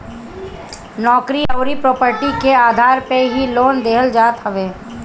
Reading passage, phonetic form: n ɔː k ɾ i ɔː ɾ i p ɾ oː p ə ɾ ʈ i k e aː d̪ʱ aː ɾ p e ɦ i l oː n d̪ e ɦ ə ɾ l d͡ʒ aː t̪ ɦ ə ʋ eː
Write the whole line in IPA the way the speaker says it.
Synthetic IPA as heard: n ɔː k ɾ i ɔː ɾ i p ɾ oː p ə ɾ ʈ i k e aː d̪ʱ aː ɾ p e ɦ i l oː n d̪ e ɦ ə l d͡ʒ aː t̪ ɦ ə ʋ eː